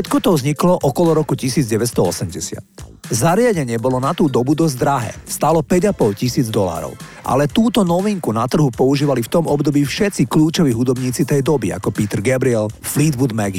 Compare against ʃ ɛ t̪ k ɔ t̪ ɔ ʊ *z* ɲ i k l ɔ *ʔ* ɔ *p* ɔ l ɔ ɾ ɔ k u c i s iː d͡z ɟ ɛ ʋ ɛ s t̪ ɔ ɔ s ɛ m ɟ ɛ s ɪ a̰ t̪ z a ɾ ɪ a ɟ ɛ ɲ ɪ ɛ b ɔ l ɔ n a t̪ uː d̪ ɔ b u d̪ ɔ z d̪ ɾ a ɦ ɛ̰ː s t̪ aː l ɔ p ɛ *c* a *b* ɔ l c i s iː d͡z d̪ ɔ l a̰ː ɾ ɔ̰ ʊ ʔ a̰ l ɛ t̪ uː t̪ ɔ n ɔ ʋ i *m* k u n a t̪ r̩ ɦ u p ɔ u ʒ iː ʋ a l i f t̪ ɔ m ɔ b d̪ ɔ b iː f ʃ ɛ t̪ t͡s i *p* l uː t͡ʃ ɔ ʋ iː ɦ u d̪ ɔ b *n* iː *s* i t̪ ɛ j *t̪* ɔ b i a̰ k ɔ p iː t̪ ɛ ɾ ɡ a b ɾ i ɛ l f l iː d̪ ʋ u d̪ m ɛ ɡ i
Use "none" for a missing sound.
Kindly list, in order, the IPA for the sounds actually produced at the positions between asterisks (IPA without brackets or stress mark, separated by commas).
z, ʔ, k, ɟ, p, ŋ, k, ɲ, t͡s, d̪